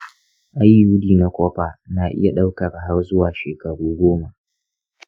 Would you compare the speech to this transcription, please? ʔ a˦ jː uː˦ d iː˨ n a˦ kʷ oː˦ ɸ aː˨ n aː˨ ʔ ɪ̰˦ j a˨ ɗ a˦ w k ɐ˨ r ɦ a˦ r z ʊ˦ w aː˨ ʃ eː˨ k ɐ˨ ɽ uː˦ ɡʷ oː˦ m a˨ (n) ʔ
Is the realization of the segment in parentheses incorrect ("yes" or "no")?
yes